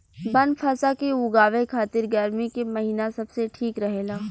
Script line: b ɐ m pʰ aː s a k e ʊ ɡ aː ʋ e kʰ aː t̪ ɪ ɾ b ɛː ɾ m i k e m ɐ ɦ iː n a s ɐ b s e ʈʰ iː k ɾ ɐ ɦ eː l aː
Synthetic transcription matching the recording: b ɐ n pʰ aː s a k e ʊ ɡ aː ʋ e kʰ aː t̪ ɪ ɾ ɡ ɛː ɾ m i k e m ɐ ɦ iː n a s ɐ b s e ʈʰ iː k ɾ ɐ ɦ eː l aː